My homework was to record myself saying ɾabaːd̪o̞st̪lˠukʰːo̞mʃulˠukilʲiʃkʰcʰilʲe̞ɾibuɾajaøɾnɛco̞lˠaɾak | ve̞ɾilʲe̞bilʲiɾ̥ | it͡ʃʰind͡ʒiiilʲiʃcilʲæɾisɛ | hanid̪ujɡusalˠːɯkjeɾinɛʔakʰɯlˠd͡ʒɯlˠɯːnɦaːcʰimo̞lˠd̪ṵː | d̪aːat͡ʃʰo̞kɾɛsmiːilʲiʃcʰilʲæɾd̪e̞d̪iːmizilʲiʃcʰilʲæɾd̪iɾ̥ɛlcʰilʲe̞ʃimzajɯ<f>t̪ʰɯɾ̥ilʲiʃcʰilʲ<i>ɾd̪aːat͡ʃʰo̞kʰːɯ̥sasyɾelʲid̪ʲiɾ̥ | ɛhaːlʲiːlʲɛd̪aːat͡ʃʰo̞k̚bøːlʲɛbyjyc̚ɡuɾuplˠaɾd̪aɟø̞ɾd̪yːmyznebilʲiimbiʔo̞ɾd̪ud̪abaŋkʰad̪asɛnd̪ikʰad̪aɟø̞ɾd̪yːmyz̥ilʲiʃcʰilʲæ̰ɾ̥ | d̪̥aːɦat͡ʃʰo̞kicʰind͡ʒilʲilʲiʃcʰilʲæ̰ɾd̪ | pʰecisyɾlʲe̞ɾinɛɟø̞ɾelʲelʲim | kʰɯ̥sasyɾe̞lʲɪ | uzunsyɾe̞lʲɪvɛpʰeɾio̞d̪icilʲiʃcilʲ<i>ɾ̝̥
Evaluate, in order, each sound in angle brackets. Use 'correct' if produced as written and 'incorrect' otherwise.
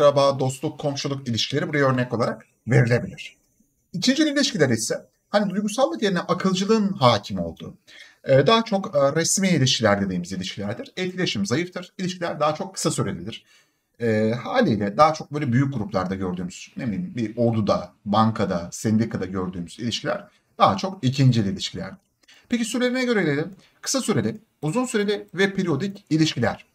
correct, incorrect: æ, incorrect: æ

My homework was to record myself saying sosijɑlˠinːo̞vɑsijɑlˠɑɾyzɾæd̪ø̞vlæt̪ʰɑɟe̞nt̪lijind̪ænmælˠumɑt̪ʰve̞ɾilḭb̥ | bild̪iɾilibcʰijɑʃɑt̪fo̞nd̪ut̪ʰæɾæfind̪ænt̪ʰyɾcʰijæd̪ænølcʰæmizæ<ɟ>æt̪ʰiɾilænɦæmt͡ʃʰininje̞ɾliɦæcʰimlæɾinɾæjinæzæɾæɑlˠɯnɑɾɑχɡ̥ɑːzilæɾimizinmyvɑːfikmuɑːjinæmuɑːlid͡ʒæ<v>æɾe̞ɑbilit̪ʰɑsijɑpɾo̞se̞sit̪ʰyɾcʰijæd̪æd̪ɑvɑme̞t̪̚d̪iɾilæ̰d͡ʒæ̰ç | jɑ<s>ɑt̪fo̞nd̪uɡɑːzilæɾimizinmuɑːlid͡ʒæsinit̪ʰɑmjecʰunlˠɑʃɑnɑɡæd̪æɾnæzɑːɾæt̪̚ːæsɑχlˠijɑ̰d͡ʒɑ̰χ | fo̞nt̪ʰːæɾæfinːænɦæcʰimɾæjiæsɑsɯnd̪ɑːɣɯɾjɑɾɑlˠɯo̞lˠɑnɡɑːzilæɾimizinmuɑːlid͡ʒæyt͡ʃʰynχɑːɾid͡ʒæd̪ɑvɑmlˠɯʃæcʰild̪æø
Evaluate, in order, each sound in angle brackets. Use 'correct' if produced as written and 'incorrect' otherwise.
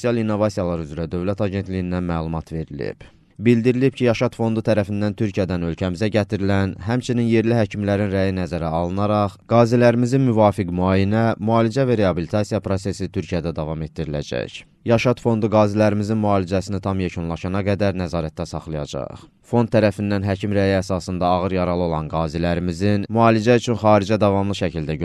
correct, correct, incorrect: ʃ

